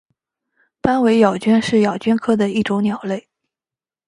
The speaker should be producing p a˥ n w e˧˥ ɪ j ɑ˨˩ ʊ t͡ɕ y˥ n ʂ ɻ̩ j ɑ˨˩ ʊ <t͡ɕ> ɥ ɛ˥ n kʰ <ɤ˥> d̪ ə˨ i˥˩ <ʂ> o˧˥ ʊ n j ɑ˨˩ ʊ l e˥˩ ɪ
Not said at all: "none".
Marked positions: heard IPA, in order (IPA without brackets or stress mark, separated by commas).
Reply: t͡ɕ, ɤ˥, ʈ͡ʂ